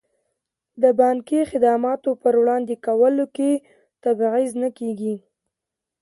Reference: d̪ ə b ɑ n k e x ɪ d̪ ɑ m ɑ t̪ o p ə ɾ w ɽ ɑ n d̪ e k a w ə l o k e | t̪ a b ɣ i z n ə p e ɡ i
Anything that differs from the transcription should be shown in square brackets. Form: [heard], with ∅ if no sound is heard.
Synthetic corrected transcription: d̪ ə b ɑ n k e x ɪ d̪ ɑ m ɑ t̪ o p ə ɾ w ɽ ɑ n d̪ e k a w ə l o k e | t̪ a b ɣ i z n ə [k] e ɡ i